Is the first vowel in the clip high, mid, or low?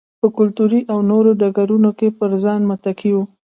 mid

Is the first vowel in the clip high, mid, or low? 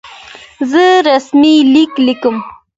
mid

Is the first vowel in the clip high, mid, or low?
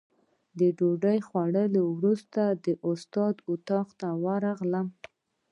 mid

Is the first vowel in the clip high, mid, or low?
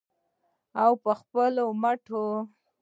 low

